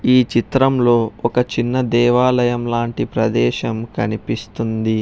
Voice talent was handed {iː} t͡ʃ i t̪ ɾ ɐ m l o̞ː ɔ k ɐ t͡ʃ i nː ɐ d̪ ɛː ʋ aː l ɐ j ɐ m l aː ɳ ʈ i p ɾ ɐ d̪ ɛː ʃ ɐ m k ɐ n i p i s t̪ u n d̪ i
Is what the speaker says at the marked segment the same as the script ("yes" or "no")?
yes